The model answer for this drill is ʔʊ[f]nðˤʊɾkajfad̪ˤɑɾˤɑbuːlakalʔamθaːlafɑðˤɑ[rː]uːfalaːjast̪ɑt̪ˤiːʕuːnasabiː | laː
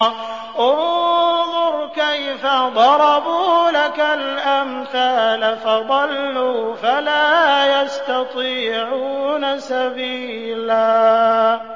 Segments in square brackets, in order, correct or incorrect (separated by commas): incorrect, incorrect